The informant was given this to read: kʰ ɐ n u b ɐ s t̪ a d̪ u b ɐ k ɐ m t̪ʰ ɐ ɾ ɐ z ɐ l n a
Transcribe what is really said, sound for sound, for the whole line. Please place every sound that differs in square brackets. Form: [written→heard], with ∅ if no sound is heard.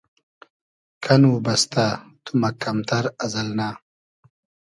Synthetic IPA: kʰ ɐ n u b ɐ s t̪ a [d̪→t̪] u [b→m] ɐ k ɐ m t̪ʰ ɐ ɾ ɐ z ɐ l n a